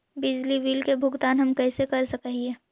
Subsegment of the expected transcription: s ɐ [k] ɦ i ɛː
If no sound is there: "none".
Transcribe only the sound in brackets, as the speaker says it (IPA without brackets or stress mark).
k